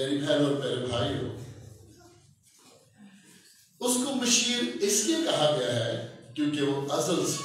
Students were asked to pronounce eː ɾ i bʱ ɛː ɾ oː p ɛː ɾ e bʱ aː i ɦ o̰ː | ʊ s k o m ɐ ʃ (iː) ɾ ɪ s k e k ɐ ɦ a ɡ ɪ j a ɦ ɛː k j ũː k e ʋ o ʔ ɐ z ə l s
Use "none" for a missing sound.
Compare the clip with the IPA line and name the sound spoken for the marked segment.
iː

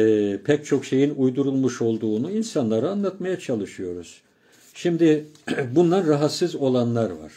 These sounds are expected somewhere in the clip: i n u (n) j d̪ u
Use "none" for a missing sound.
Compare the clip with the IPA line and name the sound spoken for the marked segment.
none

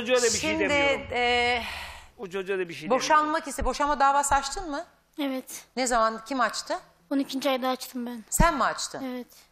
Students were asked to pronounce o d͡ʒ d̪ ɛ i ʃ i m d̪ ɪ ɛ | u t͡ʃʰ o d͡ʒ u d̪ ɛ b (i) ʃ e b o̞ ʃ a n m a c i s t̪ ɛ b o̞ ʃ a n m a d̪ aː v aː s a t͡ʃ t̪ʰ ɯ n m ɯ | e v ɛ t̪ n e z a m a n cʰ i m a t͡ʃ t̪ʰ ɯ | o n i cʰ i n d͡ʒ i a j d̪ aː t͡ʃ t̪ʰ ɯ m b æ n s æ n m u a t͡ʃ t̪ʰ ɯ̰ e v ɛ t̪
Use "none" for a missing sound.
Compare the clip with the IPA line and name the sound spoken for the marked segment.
i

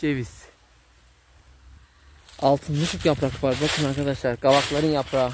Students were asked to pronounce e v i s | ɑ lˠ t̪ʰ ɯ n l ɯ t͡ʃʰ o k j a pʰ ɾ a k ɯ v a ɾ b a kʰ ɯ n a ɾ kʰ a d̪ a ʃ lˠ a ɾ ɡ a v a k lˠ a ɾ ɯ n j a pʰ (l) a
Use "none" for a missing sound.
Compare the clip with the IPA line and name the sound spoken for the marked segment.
ɾ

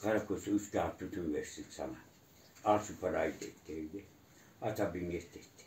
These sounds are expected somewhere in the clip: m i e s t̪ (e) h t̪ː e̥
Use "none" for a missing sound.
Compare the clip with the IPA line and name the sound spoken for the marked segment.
e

